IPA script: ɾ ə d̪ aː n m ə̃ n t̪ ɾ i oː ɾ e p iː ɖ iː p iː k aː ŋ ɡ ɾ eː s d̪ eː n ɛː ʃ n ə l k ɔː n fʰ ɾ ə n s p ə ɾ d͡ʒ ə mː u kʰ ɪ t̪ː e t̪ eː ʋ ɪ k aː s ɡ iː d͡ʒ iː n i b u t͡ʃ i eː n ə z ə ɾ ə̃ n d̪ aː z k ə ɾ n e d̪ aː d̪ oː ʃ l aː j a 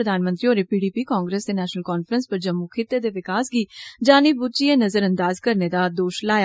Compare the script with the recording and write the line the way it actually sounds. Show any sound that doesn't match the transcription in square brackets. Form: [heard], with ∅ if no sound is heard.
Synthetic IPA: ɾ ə d̪ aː n m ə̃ n t̪ ɾ i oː ɾ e p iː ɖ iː p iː k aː ŋ ɡ ɾ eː s d̪ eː n ɛː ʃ n ə l k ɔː n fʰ ɾ ə n s p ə ɾ d͡ʒ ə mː u kʰ ɪ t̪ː e [d̪] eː ʋ ɪ k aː s ɡ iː d͡ʒ [aː] n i b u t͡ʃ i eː n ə z ə ɾ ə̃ n d̪ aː z k ə ɾ n e d̪ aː d̪ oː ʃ l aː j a